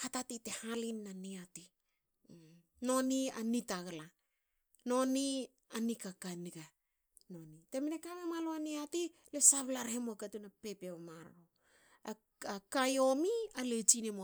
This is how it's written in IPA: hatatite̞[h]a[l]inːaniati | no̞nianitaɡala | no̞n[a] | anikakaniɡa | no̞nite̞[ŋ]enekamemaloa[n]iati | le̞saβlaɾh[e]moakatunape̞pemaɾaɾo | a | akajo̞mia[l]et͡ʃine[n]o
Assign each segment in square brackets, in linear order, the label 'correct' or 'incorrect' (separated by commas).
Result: correct, correct, incorrect, incorrect, correct, correct, correct, incorrect